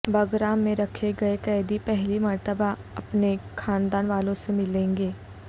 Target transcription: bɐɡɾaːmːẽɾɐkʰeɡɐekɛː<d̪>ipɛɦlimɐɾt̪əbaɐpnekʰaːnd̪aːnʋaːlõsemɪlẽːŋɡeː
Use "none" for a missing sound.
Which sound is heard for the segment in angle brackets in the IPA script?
d̪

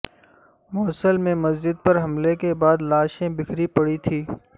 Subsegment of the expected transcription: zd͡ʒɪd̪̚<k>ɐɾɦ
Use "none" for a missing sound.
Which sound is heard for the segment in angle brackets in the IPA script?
p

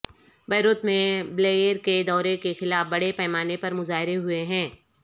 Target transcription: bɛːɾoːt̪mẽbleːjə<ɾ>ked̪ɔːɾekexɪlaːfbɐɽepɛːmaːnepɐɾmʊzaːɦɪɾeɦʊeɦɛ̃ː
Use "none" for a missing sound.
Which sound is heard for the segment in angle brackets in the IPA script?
ɾ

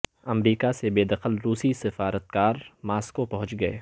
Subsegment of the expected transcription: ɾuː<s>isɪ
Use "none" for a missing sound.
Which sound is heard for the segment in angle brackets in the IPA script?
s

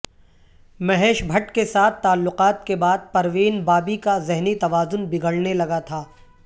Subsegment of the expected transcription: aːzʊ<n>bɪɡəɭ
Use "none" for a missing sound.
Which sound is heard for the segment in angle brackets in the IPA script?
n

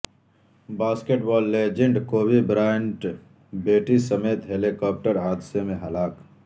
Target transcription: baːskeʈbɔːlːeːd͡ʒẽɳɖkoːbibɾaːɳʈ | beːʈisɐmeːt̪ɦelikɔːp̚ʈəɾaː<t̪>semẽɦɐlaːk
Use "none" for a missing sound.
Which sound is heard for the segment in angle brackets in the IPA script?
d̪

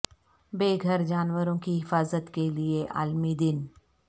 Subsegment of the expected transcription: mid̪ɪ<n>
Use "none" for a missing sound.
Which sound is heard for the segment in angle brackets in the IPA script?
n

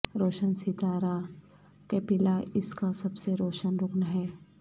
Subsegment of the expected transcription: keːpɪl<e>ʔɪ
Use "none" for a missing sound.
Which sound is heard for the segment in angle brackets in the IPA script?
a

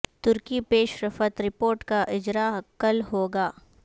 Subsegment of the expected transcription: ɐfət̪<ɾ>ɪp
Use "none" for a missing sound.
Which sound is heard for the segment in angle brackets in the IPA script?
ɾ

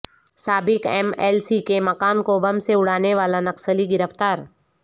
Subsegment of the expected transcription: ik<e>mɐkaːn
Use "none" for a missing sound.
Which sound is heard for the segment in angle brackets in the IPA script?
e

